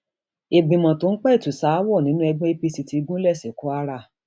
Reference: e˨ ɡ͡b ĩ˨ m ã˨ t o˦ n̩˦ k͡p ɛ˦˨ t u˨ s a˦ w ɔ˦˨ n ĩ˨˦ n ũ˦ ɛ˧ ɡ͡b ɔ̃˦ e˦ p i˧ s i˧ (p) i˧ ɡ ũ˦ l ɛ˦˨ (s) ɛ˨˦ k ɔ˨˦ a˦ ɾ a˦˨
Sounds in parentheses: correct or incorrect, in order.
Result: incorrect: t, correct

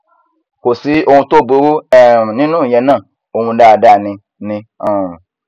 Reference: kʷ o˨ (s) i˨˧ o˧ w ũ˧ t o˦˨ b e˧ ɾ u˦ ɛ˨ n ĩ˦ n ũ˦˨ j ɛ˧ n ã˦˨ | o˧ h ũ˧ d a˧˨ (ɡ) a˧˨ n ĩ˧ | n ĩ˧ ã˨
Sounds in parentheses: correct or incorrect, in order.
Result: correct, incorrect: d

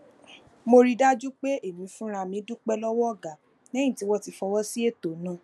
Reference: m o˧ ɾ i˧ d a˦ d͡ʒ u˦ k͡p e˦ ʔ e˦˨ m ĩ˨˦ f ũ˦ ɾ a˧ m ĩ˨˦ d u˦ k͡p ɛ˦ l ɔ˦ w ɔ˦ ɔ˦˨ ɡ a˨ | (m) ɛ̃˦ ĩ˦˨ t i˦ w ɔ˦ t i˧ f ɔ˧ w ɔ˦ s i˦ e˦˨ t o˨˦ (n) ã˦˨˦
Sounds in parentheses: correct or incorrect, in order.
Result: incorrect: n, correct

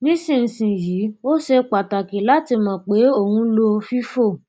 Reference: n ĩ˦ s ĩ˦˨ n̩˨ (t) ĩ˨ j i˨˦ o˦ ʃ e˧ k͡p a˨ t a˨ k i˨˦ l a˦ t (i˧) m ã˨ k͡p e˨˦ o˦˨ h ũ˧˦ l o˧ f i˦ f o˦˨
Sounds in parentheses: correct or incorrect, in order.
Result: incorrect: s, correct

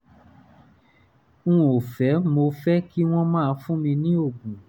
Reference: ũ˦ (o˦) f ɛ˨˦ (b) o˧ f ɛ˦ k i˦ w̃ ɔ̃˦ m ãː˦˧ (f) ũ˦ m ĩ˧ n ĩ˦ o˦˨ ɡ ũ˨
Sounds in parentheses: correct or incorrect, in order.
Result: incorrect: o˨, incorrect: m, correct

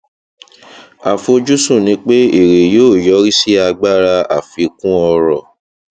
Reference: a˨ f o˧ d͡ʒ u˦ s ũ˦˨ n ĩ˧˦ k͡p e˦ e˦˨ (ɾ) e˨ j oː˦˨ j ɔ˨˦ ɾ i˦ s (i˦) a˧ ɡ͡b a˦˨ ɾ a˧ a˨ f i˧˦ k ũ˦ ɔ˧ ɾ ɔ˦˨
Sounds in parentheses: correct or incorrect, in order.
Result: correct, correct

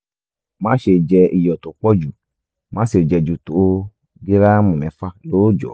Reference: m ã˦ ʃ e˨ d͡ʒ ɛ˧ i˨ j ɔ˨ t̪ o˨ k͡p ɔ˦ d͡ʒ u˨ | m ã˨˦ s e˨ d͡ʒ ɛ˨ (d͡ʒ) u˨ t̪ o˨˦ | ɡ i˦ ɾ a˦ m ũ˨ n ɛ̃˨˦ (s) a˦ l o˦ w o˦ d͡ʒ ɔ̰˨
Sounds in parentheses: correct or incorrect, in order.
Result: correct, incorrect: f

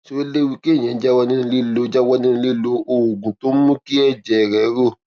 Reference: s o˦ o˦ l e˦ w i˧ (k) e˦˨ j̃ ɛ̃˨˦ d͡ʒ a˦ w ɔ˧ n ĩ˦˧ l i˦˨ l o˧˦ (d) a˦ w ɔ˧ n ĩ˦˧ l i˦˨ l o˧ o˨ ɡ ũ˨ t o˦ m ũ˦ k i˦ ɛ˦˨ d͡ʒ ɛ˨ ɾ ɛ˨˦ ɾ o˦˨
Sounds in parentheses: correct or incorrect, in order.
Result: correct, incorrect: d͡ʒ

